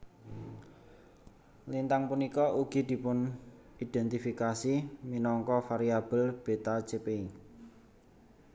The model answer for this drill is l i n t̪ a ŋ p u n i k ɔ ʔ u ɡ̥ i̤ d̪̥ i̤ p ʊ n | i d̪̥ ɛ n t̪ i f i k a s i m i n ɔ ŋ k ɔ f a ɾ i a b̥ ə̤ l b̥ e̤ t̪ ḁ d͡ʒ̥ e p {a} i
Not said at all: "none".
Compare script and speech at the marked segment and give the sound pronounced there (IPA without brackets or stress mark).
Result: e